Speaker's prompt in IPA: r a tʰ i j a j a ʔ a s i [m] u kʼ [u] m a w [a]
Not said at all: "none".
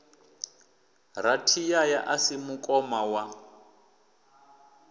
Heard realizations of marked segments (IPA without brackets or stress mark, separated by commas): m, ɔ, a